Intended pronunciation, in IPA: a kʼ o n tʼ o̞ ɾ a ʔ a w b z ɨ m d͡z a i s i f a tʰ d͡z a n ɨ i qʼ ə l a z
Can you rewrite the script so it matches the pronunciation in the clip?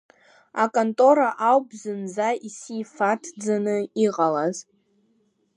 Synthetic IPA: a kʼ o n tʼ o̞ ɾ a ʔ a w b z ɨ n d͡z a i s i f a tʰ d͡z a n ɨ i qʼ a l a z